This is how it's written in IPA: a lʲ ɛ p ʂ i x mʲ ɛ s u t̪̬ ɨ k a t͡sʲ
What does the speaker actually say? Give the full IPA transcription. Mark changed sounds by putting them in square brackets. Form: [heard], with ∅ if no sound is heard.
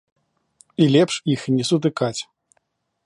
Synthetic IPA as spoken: [i] lʲ ɛ p ʂ i x [nʲ] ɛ s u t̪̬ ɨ k a t͡sʲ